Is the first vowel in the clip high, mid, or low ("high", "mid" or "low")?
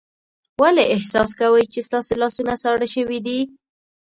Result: low